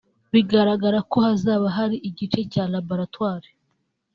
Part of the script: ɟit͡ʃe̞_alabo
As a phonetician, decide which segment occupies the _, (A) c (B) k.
A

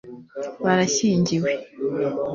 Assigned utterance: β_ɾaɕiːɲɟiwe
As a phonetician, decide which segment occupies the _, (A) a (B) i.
A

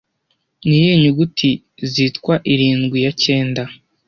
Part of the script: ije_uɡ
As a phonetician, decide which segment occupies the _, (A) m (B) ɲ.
B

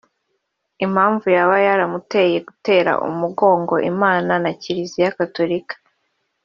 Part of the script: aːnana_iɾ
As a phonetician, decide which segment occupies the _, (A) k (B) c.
B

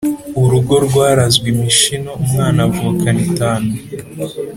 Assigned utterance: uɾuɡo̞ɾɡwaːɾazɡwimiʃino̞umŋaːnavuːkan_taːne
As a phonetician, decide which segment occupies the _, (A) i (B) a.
A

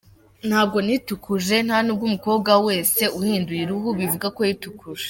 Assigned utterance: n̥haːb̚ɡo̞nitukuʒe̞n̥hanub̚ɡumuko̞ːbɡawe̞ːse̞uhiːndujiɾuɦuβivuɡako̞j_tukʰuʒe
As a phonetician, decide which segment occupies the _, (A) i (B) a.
A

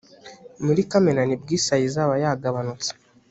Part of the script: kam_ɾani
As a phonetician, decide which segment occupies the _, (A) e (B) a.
A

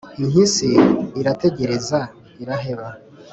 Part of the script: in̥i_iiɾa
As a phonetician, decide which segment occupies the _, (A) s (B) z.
A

